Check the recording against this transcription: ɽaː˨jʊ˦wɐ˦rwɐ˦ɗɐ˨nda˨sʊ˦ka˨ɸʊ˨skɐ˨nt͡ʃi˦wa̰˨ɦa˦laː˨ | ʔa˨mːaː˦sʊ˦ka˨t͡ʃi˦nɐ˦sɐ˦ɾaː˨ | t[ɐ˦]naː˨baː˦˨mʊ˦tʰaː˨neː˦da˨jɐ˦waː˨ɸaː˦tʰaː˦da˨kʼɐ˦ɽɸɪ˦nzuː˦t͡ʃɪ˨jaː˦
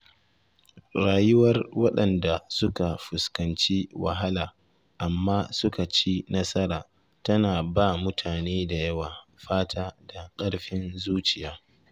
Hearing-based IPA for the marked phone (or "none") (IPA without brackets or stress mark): ɐ˦